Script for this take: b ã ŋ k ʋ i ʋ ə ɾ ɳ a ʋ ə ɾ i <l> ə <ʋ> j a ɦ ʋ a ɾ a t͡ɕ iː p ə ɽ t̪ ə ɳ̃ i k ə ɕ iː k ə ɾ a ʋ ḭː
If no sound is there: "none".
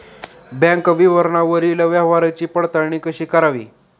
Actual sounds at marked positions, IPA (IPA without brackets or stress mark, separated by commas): l, ʋ